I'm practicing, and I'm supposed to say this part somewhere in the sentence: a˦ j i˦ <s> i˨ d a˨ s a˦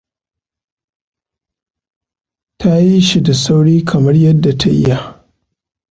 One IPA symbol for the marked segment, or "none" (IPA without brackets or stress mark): ʃ